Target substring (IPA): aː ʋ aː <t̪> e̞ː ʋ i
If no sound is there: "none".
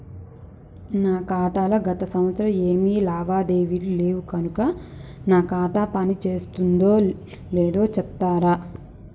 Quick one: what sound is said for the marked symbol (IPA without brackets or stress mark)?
d̪